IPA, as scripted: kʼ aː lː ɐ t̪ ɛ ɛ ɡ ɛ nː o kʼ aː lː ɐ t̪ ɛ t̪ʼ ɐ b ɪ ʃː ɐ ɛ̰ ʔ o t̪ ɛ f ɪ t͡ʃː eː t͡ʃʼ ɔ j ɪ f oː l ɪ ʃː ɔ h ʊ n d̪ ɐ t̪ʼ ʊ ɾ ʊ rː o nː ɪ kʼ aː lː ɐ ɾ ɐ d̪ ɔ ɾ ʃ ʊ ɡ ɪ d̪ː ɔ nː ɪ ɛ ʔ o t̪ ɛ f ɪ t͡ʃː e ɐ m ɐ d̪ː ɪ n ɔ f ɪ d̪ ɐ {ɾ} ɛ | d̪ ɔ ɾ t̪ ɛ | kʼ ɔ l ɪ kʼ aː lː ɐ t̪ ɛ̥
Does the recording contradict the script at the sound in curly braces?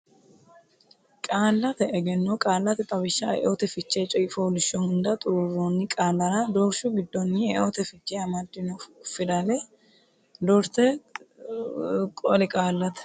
yes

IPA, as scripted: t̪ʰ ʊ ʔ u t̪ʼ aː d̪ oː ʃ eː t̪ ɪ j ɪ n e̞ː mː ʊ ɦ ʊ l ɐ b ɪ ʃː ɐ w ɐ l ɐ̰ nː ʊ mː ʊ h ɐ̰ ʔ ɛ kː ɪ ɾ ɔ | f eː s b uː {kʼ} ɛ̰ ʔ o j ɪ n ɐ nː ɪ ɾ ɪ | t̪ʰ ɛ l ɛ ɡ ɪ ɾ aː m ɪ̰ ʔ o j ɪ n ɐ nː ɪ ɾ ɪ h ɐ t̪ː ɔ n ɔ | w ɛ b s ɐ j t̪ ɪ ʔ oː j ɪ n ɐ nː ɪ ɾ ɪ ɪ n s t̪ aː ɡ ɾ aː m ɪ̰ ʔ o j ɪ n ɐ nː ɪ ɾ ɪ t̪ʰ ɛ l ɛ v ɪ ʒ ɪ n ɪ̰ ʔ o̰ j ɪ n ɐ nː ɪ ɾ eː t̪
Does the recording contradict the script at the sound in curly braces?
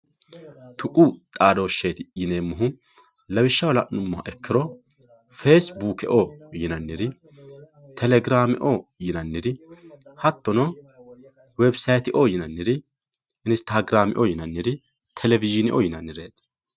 yes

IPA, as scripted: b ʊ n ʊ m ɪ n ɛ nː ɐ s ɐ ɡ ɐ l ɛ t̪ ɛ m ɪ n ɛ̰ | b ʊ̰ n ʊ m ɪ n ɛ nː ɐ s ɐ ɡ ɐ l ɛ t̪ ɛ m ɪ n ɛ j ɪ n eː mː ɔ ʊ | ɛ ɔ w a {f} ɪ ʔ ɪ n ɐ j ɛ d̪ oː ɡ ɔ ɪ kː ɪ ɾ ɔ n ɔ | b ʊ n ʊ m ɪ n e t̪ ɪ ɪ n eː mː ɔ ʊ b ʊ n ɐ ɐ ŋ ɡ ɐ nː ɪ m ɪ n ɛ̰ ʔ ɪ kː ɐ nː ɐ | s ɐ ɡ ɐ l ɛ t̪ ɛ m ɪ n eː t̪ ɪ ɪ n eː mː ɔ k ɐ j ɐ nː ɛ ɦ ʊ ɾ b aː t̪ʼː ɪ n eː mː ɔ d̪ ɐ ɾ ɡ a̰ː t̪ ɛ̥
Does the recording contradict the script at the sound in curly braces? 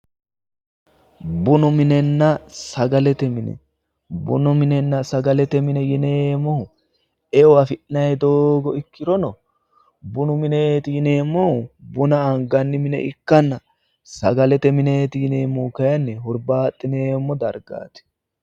no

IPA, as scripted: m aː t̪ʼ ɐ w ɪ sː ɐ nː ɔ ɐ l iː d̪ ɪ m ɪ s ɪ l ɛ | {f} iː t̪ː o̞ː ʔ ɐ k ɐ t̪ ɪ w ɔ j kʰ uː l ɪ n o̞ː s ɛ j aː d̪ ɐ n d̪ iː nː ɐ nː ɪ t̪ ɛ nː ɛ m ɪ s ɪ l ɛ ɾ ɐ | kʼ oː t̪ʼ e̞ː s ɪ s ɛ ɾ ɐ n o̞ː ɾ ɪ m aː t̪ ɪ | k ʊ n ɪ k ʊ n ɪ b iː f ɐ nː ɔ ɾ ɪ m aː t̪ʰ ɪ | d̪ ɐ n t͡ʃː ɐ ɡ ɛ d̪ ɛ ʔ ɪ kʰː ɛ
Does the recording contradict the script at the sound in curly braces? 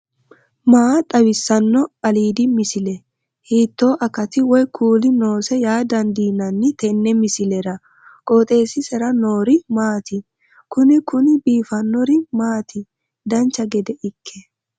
yes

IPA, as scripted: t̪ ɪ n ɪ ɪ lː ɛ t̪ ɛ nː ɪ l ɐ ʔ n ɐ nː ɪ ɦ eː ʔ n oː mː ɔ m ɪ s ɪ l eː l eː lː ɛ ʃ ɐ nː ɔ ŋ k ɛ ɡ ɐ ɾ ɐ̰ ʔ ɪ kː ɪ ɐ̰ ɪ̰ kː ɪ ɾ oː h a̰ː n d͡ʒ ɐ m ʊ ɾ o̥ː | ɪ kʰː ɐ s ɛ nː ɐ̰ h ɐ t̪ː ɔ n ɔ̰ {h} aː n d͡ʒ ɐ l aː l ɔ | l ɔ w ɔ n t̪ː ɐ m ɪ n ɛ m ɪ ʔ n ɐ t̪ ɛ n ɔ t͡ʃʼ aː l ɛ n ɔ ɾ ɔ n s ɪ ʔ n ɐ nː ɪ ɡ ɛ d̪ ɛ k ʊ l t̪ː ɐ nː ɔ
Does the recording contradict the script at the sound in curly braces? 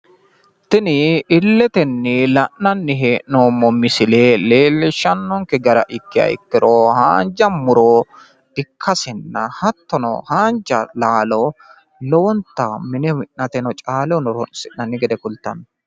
no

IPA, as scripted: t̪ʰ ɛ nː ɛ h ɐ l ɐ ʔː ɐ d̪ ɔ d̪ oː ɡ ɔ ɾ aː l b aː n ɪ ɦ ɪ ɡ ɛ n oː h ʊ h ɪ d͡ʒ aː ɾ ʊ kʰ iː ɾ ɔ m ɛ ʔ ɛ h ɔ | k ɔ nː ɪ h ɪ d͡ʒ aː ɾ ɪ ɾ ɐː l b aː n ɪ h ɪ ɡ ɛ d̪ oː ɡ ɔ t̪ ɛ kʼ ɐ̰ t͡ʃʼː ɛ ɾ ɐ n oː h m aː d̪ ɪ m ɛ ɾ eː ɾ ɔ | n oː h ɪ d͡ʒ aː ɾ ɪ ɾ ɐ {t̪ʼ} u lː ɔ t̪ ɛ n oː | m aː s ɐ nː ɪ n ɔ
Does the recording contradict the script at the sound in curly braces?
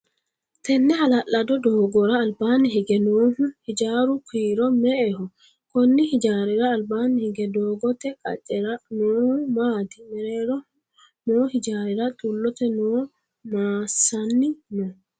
no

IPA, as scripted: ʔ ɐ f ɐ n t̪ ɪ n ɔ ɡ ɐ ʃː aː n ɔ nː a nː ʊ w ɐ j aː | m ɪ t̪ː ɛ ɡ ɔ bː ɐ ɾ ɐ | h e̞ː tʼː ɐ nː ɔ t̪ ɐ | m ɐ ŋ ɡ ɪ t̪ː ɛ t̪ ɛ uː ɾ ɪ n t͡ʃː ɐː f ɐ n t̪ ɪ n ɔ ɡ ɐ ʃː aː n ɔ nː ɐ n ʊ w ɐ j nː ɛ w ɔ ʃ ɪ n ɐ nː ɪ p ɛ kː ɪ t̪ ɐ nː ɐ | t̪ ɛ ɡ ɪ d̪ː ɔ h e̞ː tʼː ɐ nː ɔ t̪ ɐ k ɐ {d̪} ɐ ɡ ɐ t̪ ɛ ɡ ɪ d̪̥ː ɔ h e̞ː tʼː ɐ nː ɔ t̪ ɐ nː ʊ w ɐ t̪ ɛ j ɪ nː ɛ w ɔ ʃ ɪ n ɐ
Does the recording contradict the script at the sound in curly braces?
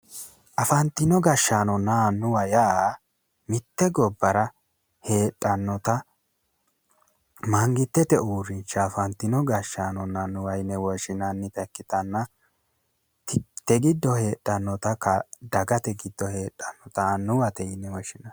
no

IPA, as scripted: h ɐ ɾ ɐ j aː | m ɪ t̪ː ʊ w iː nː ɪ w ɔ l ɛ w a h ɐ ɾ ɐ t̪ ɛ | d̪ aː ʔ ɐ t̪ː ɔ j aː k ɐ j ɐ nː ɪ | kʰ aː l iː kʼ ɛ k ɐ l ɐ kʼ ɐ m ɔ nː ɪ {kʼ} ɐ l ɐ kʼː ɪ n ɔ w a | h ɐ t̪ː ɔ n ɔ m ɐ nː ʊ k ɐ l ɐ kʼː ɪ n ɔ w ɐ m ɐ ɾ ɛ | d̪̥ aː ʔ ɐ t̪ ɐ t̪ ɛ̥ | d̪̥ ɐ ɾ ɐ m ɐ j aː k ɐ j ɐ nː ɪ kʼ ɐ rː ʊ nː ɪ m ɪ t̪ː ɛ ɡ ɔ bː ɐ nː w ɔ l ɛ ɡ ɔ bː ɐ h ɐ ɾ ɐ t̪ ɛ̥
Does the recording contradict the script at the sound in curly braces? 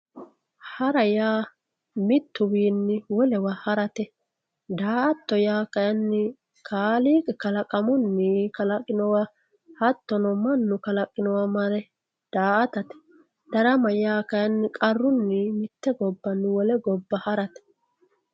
yes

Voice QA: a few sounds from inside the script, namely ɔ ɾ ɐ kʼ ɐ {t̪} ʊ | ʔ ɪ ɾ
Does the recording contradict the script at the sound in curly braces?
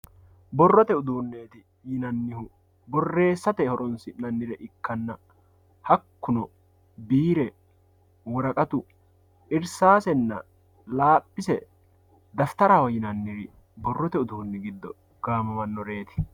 no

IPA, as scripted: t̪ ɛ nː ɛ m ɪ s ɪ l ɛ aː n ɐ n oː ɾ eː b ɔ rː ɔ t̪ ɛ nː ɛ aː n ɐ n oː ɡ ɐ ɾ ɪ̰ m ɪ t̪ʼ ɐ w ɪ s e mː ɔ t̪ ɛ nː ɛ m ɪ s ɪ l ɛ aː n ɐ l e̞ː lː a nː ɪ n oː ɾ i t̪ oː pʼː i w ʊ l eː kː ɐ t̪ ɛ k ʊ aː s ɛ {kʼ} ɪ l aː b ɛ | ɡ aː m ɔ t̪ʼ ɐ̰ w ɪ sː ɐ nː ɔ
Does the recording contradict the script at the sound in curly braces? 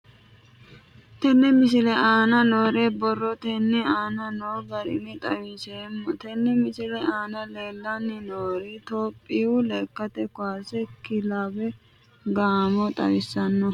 yes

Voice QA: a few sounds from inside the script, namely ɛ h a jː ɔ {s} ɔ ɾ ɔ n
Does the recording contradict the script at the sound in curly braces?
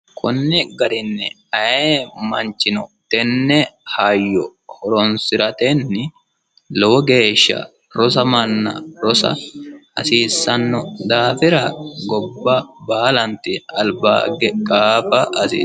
yes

